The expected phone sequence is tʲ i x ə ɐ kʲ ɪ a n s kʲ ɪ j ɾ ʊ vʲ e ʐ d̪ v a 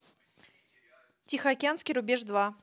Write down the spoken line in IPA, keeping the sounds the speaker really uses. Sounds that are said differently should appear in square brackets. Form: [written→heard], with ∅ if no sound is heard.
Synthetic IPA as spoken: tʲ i x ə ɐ kʲ ɪ a n s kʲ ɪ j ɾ ʊ [vʲ→bʲ] e ʐ d̪ v a